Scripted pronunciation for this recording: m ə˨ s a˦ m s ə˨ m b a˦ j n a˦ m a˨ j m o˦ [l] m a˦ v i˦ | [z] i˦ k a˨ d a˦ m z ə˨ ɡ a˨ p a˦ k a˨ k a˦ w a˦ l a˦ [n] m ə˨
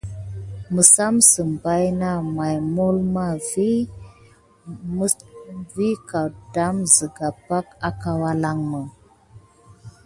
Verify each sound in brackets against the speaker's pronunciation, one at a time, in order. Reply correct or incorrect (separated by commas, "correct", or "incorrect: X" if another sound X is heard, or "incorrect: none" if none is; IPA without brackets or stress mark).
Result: correct, incorrect: v, incorrect: ŋ